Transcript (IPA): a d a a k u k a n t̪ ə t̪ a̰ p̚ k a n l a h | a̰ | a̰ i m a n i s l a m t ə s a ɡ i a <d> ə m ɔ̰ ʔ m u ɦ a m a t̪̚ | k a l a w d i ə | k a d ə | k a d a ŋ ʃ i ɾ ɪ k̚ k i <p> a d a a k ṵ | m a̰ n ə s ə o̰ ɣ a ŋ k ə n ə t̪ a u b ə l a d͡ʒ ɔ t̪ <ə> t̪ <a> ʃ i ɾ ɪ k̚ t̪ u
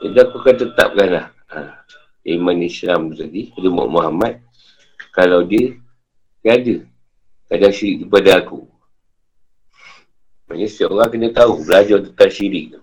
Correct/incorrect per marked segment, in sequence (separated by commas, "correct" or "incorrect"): correct, correct, correct, correct